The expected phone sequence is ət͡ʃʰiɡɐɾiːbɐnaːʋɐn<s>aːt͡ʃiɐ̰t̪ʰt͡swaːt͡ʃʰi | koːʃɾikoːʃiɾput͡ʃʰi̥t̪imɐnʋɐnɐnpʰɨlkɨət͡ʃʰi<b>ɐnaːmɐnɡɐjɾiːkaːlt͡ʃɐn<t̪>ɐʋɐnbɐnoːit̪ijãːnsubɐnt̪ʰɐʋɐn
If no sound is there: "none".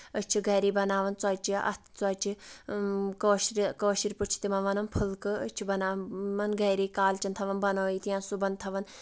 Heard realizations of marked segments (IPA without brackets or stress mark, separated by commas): t͡s, b, t̪ʰ